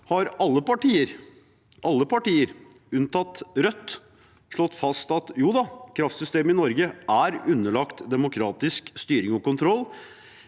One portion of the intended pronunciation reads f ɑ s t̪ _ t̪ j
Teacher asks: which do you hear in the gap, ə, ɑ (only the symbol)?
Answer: ɑ